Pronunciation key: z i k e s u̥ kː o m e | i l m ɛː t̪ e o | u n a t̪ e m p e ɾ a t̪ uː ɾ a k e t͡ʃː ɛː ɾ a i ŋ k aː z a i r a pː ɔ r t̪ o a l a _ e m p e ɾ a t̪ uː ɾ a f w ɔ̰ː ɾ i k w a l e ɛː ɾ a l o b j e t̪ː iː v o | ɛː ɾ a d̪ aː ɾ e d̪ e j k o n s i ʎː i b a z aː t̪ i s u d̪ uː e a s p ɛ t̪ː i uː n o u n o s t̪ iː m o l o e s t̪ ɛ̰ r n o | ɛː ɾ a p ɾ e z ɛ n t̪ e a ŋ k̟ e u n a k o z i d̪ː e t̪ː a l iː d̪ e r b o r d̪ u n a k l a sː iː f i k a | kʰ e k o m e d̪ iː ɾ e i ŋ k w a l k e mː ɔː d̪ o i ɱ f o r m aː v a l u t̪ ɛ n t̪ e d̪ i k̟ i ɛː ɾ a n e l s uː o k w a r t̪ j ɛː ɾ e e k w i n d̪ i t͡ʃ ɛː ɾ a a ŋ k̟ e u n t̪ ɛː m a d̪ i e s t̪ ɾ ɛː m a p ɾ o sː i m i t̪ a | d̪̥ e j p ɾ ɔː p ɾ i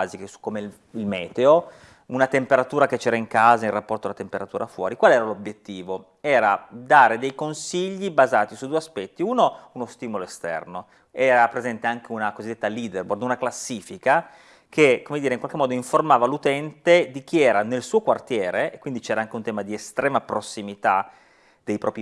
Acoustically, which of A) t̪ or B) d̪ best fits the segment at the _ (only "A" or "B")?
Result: A